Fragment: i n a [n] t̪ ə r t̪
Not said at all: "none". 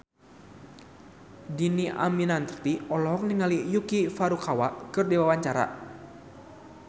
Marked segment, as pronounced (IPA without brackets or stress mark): n